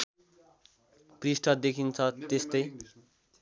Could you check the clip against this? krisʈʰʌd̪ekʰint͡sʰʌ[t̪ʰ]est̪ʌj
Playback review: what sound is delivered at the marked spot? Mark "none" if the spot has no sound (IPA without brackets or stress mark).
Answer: t̪